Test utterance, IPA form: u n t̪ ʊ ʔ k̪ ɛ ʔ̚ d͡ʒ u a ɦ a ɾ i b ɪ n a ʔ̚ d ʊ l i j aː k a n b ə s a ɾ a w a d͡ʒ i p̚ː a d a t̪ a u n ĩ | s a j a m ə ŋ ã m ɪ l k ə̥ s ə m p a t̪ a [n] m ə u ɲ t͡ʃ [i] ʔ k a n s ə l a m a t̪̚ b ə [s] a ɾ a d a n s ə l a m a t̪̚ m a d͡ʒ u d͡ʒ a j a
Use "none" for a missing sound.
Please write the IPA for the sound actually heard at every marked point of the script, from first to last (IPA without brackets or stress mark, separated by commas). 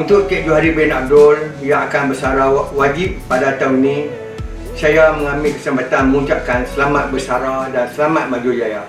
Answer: n, a, s